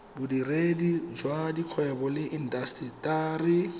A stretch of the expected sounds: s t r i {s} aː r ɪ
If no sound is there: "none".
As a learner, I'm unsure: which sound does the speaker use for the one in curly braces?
t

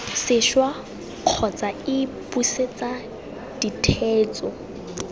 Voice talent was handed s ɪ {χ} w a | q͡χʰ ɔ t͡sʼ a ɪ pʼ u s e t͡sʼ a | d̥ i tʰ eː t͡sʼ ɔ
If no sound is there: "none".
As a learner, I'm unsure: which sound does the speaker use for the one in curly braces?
ʃ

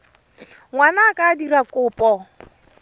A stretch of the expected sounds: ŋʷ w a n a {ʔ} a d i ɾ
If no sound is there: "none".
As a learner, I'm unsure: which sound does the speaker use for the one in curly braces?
k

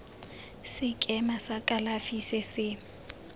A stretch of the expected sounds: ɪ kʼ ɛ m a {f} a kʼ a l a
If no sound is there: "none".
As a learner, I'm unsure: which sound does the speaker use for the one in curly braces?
s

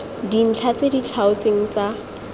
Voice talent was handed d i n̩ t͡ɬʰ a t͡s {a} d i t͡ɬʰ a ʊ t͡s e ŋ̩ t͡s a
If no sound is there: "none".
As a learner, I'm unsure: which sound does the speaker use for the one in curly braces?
e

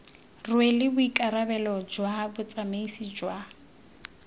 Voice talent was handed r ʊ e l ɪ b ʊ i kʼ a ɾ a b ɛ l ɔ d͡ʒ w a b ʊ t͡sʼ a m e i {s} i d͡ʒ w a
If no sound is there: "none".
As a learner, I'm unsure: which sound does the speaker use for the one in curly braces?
s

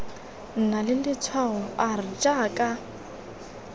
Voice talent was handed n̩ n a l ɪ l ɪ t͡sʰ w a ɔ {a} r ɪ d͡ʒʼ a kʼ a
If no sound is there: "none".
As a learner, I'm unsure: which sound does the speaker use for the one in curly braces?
a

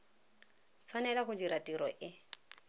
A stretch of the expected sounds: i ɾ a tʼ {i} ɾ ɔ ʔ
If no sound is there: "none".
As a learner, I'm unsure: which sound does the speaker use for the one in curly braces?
i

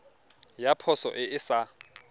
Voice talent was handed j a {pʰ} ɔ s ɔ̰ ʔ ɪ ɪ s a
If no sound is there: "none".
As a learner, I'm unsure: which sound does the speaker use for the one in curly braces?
pʰ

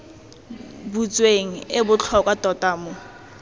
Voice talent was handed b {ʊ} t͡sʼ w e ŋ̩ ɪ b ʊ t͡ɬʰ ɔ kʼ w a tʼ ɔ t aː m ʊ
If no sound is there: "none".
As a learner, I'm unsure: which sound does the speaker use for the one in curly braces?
u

